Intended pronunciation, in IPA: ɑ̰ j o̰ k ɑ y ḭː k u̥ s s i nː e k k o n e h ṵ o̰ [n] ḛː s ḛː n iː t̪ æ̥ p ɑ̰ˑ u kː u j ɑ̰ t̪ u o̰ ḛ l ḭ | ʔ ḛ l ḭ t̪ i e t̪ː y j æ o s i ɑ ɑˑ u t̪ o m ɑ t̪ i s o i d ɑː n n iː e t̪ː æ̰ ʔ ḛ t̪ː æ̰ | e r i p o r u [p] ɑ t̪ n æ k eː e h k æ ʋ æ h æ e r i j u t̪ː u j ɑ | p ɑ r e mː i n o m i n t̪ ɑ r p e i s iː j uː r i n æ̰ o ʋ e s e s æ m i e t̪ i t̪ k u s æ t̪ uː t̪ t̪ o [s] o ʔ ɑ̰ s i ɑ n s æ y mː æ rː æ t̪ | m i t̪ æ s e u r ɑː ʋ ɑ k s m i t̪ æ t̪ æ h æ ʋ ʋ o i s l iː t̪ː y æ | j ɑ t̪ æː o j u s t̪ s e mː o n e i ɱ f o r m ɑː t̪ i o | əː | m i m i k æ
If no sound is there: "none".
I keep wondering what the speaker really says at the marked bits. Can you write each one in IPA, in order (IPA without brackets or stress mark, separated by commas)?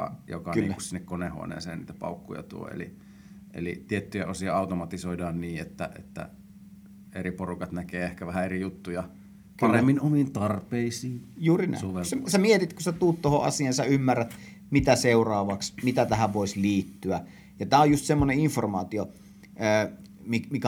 n, k, h